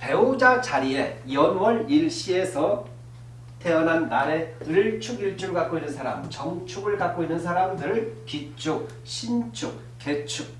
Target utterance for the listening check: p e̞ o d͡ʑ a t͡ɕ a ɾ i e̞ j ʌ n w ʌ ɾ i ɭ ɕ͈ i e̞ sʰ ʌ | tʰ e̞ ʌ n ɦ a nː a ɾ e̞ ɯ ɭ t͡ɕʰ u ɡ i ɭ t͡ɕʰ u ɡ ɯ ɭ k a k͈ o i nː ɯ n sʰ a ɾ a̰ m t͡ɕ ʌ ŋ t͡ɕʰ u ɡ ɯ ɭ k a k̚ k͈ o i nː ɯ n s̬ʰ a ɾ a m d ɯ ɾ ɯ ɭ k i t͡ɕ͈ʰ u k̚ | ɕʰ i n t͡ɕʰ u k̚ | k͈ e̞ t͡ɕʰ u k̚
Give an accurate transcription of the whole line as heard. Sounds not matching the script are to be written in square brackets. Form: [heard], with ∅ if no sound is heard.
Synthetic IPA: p e̞ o d͡ʑ a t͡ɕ a ɾ i e̞ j ʌ n w ʌ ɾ i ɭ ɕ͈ i e̞ sʰ ʌ | tʰ e̞ ʌ n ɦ a nː a ɾ e̞ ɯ ɭ t͡ɕʰ u ɡ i ɭ t͡ɕʰ u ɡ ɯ ɭ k a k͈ o i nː ɯ n sʰ a ɾ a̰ m t͡ɕ ʌ ŋ t͡ɕʰ u ɡ ɯ ɭ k a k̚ k͈ o i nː ɯ n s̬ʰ a ɾ a m d ɯ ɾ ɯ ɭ k i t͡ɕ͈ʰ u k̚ | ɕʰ i n t͡ɕʰ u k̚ | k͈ e̞ t͡ɕʰ u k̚